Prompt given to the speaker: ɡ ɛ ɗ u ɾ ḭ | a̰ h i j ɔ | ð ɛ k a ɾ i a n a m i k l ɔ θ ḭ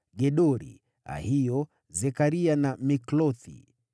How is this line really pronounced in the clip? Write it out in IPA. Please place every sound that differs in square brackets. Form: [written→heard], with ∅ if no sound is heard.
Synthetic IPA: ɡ ɛ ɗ [u→ɔ] ɾ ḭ | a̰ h i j ɔ | [ð→z] ɛ k a ɾ i a n a m i k l ɔ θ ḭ